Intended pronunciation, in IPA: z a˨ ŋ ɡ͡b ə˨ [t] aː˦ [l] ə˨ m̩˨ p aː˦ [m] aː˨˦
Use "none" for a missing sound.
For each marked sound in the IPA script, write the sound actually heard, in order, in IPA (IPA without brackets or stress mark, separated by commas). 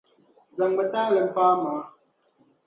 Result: t, l, m